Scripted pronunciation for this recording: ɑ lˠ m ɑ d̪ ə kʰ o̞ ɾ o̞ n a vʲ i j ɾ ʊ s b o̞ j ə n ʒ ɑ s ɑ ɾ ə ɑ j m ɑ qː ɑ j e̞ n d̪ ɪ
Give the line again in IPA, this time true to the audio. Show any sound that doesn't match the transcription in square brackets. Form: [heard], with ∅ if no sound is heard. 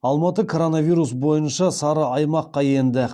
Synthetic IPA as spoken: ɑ lˠ m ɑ [t̪] ə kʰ o̞ ɾ o̞ n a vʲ i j ɾ [u] s b o̞ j ə n [ʃ] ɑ s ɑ ɾ ə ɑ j m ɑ qː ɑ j e̞ n d̪ ɪ

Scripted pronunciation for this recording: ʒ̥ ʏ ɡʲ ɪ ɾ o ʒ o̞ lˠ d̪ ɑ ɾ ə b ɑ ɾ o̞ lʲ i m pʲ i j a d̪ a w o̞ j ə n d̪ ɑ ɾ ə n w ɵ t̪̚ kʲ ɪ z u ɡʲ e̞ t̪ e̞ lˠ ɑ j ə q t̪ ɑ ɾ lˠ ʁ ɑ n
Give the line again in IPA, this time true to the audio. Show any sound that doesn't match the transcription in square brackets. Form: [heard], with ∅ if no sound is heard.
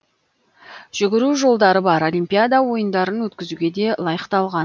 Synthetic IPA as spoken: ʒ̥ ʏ ɡʲ ɪ ɾ [u] ʒ o̞ lˠ d̪ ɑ ɾ ə b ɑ ɾ o̞ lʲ i m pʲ i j a d̪ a w o̞ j ə n d̪ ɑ ɾ ə n w ɵ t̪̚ kʲ ɪ z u ɡʲ e̞ [d̪] e̞ lˠ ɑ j ə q t̪ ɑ [∅] lˠ ʁ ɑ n

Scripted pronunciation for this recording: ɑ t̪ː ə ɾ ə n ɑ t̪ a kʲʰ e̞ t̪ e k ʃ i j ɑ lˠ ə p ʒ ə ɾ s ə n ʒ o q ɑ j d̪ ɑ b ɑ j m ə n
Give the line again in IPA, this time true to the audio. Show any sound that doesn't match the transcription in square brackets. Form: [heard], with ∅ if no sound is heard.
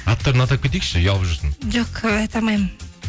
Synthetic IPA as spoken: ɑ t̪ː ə ɾ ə n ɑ t̪ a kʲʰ e̞ t̪ e k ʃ [ɪ] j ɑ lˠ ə p ʒ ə ɾ s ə n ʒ o q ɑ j [t̪] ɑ [m] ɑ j m ə n

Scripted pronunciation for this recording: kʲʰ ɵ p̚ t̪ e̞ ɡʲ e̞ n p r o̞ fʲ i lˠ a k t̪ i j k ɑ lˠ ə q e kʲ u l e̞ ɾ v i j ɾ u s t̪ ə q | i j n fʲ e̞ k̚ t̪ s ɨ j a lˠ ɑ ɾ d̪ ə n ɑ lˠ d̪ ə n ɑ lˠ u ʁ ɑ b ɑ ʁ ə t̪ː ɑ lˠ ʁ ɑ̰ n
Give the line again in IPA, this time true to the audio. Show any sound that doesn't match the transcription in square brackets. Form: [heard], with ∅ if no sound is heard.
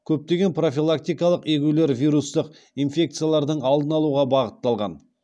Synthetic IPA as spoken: kʲʰ ɵ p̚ t̪ e̞ ɡʲ e̞ n p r o̞ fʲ i lˠ a k t̪ i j k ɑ lˠ ə q e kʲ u l e̞ ɾ v i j ɾ u s t̪ ə q | i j n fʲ e̞ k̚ t̪ s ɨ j a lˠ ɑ ɾ d̪ ə [ɴ] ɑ lˠ d̪ ə n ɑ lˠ u ʁ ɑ b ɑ ʁ ə t̪ː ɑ lˠ ʁ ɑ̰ n

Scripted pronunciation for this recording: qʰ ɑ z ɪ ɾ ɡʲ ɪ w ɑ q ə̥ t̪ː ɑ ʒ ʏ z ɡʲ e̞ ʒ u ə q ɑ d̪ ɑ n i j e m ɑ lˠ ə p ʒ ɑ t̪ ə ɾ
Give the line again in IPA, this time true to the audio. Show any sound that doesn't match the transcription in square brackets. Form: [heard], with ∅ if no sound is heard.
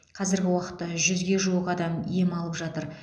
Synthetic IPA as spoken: qʰ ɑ z ɪ ɾ ɡʲ ɪ w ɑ q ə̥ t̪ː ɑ ʒ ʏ z ɡʲ e̞ ʒ u ə q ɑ d̪ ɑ [m] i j e m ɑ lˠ ə p ʒ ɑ t̪ ə ɾ

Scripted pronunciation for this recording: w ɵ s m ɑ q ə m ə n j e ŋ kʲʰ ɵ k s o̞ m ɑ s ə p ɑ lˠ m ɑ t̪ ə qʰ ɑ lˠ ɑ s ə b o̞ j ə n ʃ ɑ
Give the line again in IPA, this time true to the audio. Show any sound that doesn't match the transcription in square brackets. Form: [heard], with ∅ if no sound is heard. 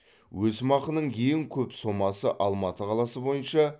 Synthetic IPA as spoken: w ɵ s m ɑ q ə [n] ə [ɴ] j e ŋ kʲʰ ɵ [p] s o̞ m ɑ s ə [ʔ] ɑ lˠ m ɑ t̪ ə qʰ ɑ lˠ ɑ s ə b o̞ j ə n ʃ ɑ

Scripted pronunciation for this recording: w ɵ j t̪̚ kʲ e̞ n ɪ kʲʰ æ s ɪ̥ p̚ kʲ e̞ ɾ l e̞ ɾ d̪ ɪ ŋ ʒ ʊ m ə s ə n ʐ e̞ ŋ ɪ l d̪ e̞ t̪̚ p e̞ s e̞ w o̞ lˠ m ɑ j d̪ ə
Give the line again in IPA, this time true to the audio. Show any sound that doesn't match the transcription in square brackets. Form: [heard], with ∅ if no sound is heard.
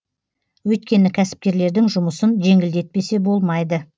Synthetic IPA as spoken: w ɵ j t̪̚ kʲ e̞ n ɪ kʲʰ æ s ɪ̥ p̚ kʲ e̞ ɾ l e̞ ɾ d̪ ɪ ŋ ʒ ʊ m ə s ə n [ʒ] e̞ ŋ ɪ l d̪ e̞ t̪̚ p e̞ s e̞ [b] o̞ lˠ m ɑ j d̪ ə

